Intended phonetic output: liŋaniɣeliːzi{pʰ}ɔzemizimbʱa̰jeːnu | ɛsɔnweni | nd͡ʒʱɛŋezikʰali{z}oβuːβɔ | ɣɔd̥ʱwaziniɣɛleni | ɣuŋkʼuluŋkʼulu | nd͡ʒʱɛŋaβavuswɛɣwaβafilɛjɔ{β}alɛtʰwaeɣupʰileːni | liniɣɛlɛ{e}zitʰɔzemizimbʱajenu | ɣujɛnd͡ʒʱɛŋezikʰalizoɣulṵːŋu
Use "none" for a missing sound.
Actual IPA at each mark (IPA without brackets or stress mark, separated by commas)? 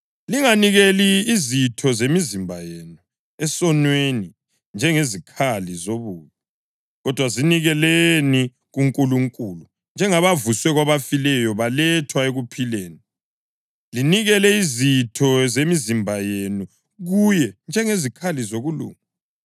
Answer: tʰ, z, β, i